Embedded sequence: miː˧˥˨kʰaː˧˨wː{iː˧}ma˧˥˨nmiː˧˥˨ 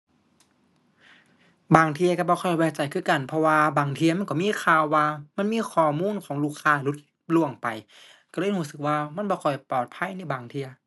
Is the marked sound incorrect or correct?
incorrect